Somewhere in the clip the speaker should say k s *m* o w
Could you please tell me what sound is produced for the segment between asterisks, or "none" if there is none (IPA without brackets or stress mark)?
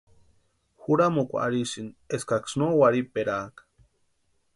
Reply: n